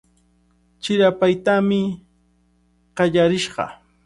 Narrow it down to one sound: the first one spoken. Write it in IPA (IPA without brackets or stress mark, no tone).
t͡ʃ